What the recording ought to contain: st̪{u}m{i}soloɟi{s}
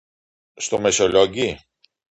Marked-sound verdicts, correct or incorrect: incorrect: o, incorrect: e, incorrect: none

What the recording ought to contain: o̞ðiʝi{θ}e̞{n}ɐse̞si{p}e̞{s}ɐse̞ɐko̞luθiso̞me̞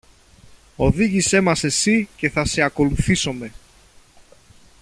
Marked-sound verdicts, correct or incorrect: incorrect: s, incorrect: m, incorrect: c, incorrect: θ

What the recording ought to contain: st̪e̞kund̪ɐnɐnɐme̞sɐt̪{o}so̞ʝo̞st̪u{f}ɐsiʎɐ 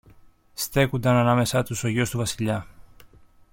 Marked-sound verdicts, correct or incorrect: incorrect: u, incorrect: v

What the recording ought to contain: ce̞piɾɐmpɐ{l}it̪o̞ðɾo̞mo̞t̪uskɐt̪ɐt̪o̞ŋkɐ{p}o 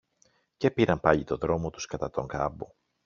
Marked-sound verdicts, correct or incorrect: incorrect: ʎ, incorrect: b

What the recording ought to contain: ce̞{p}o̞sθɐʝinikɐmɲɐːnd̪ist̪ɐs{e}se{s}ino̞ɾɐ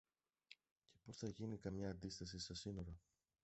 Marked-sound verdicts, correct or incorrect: correct, incorrect: i, correct

